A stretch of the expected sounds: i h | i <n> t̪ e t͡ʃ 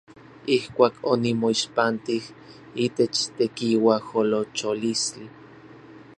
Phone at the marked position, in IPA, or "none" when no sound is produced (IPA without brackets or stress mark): none